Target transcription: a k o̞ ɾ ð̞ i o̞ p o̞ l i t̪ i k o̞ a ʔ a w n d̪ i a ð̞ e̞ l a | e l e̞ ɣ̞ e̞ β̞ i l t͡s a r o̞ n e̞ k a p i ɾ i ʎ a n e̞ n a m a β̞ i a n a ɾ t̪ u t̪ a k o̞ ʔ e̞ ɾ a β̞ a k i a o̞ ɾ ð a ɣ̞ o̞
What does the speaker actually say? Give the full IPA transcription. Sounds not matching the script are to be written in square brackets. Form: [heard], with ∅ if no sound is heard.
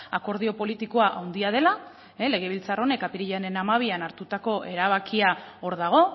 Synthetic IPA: a k o̞ ɾ ð̞ i o̞ p o̞ l i t̪ i k o̞ a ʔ a w n d̪ i a ð̞ e̞ l a | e l e̞ ɣ̞ e̞ β̞ i l t͡s a r o̞ n e̞ k a p i ɾ i ʎ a n e̞ n a m a β̞ i a n a ɾ t̪ u t̪ a k o̞ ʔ e̞ ɾ a β̞ a k i a o̞ ɾ ð a ɣ̞ o̞